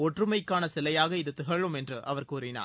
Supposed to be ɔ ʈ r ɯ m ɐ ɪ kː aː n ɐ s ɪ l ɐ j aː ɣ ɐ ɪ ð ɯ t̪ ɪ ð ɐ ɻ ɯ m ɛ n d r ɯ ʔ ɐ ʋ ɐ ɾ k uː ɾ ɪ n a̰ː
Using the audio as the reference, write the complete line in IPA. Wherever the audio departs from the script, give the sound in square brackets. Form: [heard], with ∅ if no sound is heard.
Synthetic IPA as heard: ɔ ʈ r ɯ m ɐ ɪ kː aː n ɐ s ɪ l ɐ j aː ɣ ɐ ɪ ð ɯ t̪ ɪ [ɣ] ɐ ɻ ɯ m ɛ n d r ɯ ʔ ɐ ʋ ɐ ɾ k uː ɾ ɪ n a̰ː